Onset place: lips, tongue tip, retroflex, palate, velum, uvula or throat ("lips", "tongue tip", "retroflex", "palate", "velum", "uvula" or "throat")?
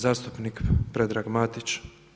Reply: tongue tip